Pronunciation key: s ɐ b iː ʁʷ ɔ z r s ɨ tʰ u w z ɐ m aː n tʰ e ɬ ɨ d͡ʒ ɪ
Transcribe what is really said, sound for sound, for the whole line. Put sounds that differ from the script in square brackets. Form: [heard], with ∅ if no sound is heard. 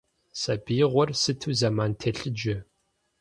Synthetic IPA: s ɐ b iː ʁʷ ɔ [∅] r s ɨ tʰ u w z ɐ m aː n tʰ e ɬ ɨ d͡ʒ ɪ